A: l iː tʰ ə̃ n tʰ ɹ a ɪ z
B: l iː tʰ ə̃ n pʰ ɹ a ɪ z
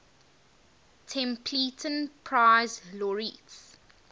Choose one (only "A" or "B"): B